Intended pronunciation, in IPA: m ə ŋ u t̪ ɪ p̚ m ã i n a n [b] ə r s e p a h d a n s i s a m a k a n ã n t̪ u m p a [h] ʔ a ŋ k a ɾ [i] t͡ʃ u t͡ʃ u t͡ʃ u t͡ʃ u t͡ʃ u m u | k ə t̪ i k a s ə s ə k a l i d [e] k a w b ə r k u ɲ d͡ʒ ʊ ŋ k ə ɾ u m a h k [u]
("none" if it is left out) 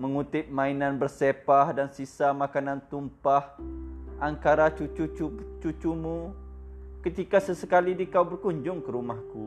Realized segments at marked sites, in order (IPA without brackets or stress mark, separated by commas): b, h, a, i, u